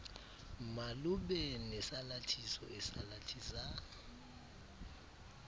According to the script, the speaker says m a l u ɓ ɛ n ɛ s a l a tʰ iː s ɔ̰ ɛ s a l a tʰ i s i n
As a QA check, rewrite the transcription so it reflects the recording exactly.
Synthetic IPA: m a l u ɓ ɛ n ɛ s a l a tʰ i s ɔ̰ ɛ s a l a tʰ i s a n